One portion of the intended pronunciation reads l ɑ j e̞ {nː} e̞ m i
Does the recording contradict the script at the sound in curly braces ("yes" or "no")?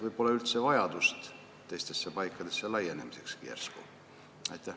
yes